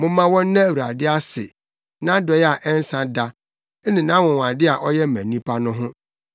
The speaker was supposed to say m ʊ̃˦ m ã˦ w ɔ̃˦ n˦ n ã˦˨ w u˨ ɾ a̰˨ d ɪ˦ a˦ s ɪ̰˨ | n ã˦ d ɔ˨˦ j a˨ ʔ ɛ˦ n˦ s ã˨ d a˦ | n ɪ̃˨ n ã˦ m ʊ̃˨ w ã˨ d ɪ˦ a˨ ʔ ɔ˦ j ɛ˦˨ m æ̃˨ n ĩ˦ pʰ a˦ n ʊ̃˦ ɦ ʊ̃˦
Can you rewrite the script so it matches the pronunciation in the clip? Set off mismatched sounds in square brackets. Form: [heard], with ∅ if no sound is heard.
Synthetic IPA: m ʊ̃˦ m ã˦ w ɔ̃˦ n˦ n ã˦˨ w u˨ ɾ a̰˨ d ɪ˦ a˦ s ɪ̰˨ | n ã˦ d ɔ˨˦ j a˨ ʔ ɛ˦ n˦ s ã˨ d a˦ | n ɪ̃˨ n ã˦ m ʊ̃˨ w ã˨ d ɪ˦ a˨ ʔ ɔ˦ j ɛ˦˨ m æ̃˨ n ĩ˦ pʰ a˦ n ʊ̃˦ ɦ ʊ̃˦